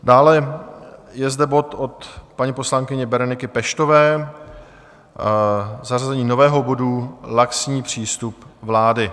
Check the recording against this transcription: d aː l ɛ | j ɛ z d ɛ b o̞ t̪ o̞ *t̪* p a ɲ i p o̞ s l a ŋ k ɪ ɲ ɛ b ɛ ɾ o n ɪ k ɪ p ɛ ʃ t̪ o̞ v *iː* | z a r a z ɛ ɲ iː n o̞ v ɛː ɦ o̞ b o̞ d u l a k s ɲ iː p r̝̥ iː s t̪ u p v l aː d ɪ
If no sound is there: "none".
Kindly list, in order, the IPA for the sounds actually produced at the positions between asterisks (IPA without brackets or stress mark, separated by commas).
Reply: t̪, ɛː